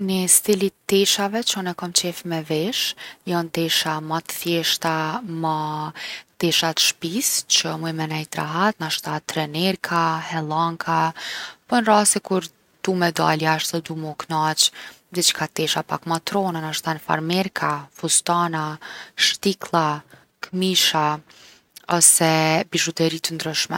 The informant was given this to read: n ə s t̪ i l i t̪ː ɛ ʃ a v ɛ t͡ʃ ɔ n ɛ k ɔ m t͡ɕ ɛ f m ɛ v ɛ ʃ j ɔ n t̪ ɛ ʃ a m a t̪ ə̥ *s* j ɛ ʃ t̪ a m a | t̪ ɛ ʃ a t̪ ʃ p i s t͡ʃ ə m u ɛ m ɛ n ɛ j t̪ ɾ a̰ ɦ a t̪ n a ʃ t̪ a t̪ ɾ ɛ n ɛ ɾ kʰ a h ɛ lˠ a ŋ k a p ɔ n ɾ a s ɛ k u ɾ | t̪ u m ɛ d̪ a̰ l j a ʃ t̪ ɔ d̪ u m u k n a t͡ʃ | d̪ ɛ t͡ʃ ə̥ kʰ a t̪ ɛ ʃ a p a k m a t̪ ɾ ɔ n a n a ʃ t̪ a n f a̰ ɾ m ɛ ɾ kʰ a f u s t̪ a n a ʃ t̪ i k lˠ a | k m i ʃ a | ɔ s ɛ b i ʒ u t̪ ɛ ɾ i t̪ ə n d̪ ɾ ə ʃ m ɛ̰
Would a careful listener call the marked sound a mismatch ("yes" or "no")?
yes